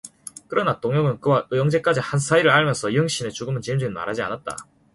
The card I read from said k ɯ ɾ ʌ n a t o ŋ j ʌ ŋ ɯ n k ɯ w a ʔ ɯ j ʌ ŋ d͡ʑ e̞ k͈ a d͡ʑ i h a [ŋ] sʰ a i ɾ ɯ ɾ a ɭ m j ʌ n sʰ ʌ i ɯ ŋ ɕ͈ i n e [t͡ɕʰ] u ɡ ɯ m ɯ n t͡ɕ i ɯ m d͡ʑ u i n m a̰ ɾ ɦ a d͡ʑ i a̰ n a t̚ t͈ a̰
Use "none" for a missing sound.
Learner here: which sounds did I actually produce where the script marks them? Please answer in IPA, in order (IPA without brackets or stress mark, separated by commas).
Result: n, t͡ɕ